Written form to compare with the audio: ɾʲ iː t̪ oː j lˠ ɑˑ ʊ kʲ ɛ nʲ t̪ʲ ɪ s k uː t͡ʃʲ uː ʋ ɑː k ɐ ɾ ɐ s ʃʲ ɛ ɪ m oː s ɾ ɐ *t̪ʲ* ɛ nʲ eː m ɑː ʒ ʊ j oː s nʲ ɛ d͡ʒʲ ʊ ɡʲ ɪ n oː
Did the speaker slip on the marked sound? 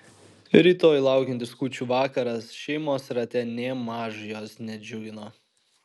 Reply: no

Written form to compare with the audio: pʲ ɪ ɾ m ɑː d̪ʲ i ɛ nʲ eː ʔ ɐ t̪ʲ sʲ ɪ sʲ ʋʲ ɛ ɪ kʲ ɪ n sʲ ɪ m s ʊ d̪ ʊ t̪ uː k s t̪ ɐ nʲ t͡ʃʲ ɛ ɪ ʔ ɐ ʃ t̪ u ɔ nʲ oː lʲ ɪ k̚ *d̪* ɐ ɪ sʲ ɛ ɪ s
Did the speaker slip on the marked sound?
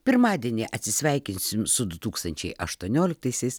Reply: yes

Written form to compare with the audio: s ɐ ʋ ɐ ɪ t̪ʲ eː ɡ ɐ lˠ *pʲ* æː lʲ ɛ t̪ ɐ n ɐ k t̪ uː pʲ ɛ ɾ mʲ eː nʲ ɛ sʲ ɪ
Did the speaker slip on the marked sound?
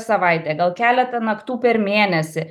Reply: yes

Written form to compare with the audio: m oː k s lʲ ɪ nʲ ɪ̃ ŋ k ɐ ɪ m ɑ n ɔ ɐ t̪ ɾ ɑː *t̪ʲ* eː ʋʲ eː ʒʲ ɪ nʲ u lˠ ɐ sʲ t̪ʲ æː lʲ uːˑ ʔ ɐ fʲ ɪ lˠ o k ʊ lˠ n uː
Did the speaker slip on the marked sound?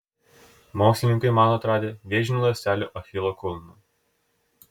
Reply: yes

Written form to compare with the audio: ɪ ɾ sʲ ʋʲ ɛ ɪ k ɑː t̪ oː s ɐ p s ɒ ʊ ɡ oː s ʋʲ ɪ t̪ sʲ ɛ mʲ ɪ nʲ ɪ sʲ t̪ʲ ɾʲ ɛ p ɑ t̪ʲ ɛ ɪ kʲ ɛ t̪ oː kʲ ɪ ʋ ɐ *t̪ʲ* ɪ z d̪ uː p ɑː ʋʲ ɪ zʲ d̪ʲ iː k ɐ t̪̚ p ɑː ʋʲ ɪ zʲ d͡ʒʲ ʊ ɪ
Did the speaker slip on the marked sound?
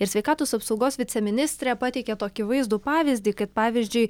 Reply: yes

